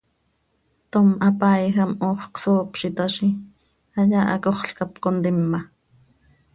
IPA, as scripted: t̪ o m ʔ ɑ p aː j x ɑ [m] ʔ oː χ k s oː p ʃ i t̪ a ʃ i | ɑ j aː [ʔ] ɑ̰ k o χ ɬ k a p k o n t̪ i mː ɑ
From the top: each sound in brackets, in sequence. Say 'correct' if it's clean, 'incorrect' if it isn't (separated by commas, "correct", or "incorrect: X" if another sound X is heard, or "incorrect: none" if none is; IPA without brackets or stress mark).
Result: correct, correct